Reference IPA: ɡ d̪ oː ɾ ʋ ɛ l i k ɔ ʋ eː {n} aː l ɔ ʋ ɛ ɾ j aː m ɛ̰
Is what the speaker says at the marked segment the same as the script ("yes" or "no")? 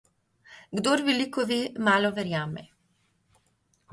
no